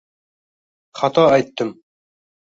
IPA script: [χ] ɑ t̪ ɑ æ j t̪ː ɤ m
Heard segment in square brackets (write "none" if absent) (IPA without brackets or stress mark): χ